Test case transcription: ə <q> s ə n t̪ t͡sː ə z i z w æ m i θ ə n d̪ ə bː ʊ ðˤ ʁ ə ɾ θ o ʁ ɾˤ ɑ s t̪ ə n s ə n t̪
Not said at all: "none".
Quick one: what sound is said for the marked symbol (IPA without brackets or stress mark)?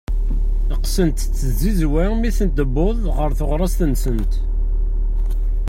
q